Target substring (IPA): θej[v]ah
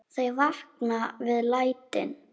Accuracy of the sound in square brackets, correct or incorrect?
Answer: correct